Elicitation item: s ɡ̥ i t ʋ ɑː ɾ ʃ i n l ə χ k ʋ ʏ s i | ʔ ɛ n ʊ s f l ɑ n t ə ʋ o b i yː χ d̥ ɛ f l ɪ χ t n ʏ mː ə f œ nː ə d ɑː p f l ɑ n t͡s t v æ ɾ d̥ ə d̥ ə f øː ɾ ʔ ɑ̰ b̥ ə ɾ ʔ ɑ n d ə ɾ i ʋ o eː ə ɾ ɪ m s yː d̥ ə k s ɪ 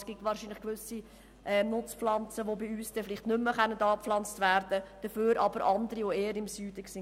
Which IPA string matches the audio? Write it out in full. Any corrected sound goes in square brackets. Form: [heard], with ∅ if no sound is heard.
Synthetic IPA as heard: s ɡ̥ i t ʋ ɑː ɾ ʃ i n l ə χ k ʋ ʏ s i | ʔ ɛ n ʊ [t͡s] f l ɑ n [t͡s] ə ʋ o b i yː [s] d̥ ɛ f l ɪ χ t n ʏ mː ə [χ] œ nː ə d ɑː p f l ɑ n t͡s t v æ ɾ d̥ ə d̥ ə f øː ɾ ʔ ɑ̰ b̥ ə ɾ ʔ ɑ n d ə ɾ i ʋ o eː ə ɾ ɪ m s yː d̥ ə k s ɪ